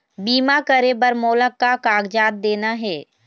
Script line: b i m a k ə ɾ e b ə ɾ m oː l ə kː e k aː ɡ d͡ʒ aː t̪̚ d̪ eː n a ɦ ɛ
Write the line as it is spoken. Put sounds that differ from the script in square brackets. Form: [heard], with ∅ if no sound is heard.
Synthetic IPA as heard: b [iː] m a k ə ɾ e b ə ɾ m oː l ə kː [a] k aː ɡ d͡ʒ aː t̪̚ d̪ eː n a ɦ [ɛː]